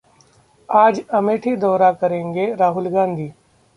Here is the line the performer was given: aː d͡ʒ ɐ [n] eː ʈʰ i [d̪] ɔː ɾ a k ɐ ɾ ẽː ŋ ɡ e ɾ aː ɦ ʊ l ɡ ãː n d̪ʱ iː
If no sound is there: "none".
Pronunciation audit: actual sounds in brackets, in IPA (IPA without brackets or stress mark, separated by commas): m, d̪